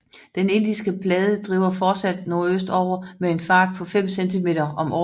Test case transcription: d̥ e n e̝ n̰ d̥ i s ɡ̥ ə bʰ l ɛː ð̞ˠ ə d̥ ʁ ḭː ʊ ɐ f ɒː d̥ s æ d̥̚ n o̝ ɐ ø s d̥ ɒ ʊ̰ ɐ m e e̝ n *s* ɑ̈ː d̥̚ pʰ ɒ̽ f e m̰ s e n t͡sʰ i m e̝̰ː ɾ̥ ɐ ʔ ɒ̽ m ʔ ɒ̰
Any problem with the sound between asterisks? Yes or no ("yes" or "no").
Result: yes